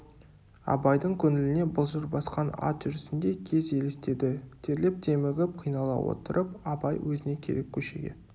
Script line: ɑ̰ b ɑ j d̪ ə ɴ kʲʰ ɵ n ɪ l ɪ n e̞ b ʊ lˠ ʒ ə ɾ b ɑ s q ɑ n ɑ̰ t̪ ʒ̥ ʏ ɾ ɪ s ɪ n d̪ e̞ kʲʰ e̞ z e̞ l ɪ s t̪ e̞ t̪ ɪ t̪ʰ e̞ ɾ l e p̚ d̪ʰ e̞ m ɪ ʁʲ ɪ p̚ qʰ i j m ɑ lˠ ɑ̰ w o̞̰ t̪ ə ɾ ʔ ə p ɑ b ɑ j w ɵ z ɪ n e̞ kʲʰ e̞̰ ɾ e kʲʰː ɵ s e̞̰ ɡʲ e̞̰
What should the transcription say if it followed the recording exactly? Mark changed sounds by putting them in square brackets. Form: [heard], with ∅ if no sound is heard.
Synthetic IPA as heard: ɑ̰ b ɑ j d̪ ə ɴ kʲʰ ɵ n ɪ l ɪ n e̞ b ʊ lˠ ʒ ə ɾ b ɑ s q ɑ n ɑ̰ t̪ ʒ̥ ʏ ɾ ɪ s ɪ n d̪ e̞ kʲʰ e̞ z e̞ l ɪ s t̪ e̞ [d̪] ɪ t̪ʰ e̞ ɾ l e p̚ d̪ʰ e̞ m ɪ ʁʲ ɪ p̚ qʰ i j [n] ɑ lˠ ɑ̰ w o̞̰ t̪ ə ɾ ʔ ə p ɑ b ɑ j w ɵ z ɪ n e̞ kʲʰ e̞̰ ɾ e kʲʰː ɵ [ʃ] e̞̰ ɡʲ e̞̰